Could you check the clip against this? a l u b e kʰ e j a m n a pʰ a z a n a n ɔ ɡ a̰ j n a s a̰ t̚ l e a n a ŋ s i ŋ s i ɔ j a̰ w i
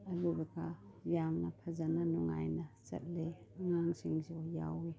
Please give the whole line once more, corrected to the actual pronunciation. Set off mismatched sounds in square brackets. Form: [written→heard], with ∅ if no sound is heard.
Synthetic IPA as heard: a l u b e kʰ [e→a] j a m n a pʰ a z a n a n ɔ [ɡ→ŋ] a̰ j n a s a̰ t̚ l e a [n→ŋ] a ŋ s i ŋ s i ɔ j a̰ w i